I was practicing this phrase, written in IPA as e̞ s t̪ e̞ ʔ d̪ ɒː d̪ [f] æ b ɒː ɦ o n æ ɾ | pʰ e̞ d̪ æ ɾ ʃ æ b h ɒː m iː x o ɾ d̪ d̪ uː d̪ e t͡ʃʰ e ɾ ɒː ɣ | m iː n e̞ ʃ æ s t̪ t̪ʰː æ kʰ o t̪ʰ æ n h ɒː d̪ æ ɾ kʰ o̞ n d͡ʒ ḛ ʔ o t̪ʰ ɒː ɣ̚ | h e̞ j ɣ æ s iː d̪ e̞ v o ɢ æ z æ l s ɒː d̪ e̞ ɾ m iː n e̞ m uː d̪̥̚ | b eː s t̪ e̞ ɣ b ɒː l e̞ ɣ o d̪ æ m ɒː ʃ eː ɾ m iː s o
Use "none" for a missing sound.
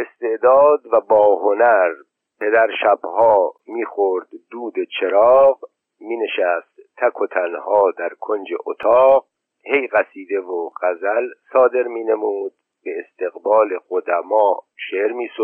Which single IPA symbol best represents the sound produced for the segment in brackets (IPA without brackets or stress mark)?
v